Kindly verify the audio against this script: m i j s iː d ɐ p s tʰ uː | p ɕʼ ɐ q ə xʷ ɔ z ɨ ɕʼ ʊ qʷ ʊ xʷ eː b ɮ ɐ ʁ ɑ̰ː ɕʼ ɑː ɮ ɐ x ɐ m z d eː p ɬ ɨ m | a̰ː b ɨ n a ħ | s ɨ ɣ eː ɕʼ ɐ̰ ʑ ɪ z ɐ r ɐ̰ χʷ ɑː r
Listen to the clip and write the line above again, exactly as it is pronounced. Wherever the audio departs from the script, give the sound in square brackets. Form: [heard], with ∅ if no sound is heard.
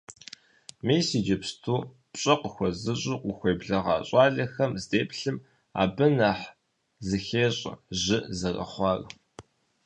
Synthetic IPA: m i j s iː [d͡ʒ] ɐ p s tʰ uː | p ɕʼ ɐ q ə xʷ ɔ z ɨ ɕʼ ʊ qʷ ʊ xʷ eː b ɮ ɐ ʁ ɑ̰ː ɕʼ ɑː ɮ ɐ x ɐ m z d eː p ɬ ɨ m | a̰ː b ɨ n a ħ | [z] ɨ [x] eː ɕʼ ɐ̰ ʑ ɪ z ɐ r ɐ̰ χʷ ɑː r